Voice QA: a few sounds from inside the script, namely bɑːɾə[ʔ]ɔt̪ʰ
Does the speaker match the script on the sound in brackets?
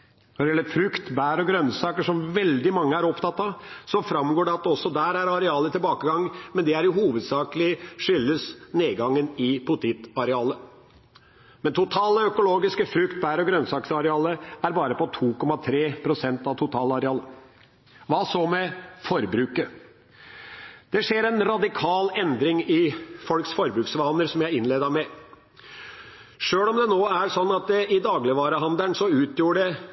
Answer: no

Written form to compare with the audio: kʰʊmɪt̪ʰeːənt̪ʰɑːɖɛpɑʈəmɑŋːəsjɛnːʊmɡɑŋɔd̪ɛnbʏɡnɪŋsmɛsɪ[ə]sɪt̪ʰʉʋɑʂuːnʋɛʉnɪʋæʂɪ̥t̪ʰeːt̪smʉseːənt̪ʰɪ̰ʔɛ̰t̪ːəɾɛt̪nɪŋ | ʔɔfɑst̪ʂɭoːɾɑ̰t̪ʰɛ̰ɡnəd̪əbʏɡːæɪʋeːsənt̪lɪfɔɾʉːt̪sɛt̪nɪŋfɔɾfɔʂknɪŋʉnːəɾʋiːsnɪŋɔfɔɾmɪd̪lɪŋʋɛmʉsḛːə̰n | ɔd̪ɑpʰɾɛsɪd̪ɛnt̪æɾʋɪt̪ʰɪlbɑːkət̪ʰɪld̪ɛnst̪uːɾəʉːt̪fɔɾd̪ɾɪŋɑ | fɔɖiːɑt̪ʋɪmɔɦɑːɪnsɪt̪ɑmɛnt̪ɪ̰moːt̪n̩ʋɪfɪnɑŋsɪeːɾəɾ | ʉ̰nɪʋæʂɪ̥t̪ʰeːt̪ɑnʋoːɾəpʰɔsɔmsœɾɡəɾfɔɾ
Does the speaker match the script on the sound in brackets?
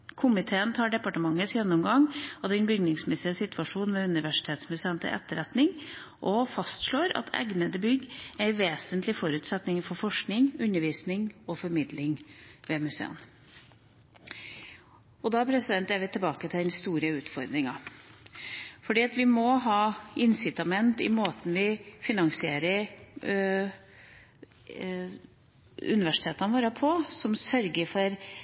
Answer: yes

